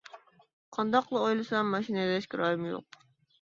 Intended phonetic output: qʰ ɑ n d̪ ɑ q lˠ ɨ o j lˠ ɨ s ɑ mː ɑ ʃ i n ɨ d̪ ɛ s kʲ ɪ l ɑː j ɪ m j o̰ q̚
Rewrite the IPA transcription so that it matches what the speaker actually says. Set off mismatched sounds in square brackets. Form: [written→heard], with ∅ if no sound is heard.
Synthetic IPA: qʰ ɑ n d̪ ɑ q lˠ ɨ o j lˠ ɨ s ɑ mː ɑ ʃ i n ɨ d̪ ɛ [s→ʃ] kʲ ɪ [l→ɾ] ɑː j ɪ m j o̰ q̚